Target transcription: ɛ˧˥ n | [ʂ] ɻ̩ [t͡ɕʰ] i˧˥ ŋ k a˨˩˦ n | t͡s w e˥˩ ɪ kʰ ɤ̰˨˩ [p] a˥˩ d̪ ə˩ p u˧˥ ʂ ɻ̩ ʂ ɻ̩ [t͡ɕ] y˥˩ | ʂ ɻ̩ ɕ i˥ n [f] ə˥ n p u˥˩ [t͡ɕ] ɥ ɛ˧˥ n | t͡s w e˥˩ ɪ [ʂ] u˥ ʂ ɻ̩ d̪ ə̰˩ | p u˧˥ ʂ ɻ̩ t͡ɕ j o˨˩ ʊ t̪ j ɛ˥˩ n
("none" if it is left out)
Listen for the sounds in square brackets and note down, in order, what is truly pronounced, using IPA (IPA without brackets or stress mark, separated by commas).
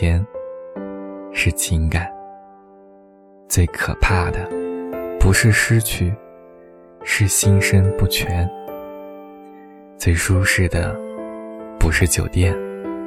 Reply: ʂ, t͡ɕʰ, pʰ, t͡ɕʰ, ʂ, t͡ɕʰ, ʂ